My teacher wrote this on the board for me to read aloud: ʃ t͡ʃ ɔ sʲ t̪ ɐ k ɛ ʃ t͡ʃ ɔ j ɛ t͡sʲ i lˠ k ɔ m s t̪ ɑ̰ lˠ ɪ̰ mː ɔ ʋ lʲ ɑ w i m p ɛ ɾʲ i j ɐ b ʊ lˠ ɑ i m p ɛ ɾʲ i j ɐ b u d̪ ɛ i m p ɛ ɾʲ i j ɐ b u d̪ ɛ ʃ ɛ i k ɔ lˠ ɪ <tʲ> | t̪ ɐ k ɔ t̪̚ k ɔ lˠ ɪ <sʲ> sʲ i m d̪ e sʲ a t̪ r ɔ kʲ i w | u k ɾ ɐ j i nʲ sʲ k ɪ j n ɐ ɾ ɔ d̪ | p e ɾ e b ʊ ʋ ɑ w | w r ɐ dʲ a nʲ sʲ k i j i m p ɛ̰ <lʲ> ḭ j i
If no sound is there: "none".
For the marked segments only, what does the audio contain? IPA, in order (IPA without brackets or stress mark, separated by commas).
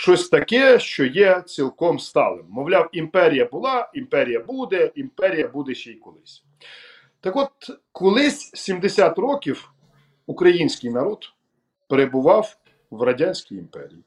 sʲ, sʲ, ɾʲ